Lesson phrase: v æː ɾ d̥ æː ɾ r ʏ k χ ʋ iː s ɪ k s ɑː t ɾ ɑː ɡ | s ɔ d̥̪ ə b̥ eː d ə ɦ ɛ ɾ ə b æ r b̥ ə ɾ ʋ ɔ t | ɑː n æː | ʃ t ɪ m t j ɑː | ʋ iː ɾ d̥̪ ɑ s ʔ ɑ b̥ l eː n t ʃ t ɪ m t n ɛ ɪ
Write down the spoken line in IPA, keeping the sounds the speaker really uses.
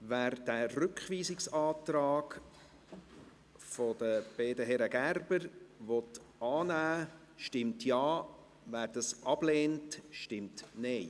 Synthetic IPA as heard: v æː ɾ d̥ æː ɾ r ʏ k χ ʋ iː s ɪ k s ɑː t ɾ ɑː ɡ | f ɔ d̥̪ ə b̥ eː d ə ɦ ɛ ɾ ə ɡ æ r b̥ ə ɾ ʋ ɔ t | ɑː n æː | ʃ t ɪ m t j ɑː | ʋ æː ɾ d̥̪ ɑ s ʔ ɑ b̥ l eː n t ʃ t ɪ m t n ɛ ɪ